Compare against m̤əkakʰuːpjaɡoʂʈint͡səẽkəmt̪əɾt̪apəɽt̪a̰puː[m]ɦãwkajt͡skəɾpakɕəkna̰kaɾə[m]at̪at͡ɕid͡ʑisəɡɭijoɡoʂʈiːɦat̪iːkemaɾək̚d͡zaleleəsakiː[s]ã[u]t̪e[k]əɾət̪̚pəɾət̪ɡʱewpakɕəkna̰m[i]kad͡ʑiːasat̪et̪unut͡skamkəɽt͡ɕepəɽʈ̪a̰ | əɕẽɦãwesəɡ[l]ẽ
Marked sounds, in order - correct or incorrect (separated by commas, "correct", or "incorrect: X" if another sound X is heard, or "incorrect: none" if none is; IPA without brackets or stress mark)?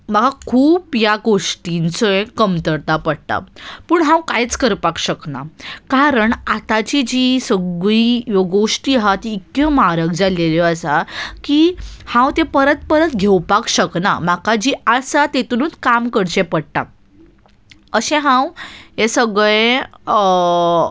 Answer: incorrect: ɳ, incorrect: ɳ, incorrect: h, incorrect: w, incorrect: p, incorrect: a, incorrect: ɭ